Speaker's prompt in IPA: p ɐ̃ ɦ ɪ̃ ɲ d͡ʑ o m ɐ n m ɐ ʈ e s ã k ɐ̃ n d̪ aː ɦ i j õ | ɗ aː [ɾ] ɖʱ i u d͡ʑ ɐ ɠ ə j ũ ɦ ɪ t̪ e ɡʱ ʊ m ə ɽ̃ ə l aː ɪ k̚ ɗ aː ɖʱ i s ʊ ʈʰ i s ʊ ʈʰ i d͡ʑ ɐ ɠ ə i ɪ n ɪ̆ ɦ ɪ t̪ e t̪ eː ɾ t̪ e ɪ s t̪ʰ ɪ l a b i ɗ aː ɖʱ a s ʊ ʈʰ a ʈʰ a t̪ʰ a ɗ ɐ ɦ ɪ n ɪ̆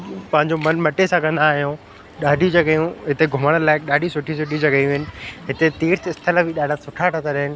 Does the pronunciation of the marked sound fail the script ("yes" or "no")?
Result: yes